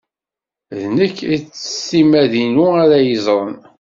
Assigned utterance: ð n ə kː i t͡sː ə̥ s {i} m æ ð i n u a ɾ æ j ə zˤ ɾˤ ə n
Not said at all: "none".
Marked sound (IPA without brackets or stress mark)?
i